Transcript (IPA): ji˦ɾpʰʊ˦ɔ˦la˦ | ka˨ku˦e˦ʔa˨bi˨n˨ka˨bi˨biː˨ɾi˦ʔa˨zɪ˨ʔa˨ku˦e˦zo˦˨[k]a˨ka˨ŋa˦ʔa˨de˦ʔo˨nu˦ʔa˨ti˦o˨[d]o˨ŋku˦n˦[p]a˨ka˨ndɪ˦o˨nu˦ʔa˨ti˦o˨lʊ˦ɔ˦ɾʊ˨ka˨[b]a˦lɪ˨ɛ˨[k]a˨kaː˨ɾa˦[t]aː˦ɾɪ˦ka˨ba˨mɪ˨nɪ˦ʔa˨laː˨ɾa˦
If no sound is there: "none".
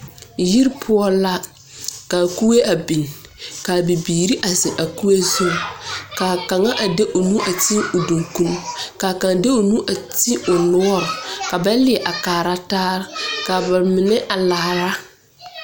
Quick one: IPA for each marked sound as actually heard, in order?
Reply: k, d, k, b, ʔ, t

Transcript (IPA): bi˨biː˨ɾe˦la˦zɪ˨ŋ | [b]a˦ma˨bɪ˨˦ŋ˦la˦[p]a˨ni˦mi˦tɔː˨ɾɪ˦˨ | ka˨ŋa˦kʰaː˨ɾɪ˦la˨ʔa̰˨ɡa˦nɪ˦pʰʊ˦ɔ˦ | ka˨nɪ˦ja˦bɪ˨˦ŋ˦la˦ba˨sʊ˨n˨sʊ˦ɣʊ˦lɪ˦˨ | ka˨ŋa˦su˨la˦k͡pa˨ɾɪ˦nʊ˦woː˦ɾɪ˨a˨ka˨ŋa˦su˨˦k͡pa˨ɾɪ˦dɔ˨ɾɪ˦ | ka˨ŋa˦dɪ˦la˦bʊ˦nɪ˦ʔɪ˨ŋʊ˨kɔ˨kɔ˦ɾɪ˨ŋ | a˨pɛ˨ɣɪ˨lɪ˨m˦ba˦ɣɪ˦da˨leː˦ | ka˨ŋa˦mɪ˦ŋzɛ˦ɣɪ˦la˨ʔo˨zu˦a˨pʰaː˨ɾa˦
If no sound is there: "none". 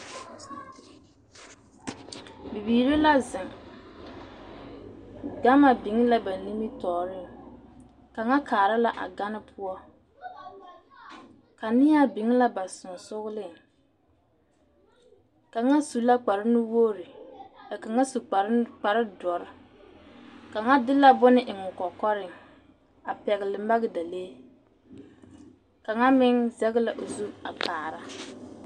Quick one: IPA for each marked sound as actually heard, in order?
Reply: ɡ, b

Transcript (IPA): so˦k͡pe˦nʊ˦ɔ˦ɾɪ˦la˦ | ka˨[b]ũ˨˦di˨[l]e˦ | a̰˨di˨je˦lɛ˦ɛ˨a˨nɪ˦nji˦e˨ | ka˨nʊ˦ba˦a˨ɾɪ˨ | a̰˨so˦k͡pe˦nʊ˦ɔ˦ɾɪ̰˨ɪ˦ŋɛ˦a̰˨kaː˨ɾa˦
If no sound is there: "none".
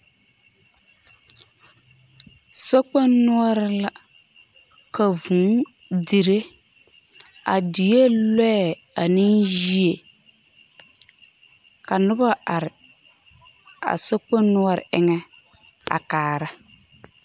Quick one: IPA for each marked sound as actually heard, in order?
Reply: v, ɾ

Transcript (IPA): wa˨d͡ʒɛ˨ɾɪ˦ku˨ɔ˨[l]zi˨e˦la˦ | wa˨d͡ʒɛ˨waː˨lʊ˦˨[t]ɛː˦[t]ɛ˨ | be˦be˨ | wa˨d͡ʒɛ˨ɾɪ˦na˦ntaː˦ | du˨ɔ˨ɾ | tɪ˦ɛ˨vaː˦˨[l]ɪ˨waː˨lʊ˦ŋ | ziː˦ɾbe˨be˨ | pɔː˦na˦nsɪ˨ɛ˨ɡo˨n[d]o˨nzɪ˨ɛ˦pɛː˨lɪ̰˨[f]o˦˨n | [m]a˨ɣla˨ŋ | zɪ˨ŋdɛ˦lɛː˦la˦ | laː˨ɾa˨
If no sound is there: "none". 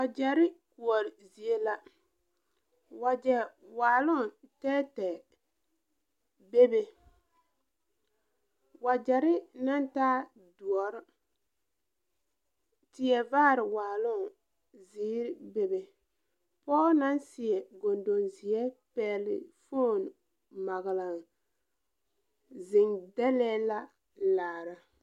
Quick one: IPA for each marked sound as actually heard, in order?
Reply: ɾ, t, t, ɾ, d, f, m

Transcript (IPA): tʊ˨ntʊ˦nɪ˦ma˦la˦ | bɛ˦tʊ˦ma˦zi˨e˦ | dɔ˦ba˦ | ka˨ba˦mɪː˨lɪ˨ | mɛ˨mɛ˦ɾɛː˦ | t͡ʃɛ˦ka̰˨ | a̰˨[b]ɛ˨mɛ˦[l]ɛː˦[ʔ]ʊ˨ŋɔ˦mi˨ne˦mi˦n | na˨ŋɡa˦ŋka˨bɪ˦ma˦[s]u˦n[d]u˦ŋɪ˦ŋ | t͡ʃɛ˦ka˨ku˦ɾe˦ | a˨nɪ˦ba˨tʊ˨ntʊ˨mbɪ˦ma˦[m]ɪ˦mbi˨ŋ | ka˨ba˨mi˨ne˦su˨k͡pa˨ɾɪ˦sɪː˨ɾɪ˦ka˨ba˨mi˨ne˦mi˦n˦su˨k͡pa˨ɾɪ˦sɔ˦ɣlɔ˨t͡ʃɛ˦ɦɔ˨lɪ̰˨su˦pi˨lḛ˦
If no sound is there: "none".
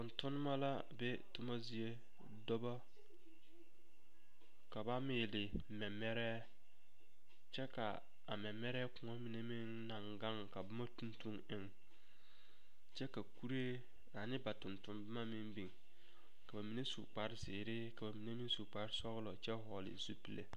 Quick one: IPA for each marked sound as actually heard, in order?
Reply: m, ɾ, k, t, t, m

